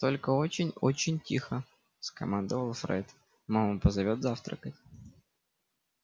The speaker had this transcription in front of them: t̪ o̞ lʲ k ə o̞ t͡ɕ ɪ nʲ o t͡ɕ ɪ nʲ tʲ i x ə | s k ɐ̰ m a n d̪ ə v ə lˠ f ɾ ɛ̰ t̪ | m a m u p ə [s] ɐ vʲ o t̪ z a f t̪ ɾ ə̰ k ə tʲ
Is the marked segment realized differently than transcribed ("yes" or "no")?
yes